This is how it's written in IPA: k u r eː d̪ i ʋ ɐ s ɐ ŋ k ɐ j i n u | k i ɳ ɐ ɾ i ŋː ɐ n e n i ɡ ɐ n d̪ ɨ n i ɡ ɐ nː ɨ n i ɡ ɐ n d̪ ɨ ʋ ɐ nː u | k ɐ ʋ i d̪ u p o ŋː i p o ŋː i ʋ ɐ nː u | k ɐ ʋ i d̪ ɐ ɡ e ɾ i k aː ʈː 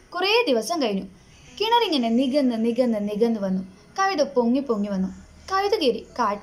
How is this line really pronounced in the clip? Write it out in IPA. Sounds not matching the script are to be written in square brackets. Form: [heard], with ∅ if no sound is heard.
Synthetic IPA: k u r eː d̪ i ʋ ɐ s ɐ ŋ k ɐ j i n u | k i ɳ ɐ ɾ i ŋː ɐ n e n i ɡ ɐ n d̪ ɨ n i ɡ ɐ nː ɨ n i ɡ ɐ n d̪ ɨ ʋ ɐ nː u | k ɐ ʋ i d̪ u p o ŋː i p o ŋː i ʋ ɐ nː u | k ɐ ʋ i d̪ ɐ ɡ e ɾ i k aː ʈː